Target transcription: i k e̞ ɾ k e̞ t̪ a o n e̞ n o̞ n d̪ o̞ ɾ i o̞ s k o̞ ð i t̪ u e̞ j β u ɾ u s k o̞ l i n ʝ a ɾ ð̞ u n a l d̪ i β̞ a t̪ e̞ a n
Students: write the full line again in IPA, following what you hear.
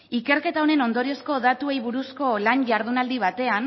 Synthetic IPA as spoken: i k e̞ ɾ k e̞ t̪ a o n e̞ n o̞ n d̪ o̞ ɾ i o̞ s k o̞ ð a t̪ u e̞ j β u ɾ u s k o̞ l a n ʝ a ɾ ð̞ u n a l d̪ i β̞ a t̪ e̞ a n